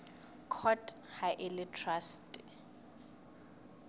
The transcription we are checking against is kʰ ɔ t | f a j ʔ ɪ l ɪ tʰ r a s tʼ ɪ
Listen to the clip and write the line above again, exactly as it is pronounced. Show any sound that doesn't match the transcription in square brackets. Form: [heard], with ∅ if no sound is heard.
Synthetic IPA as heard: kʰ ɔ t | [h] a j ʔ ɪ l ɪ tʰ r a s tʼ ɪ